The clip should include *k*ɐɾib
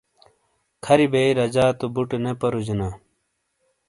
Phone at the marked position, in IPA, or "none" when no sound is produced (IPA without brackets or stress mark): kʰ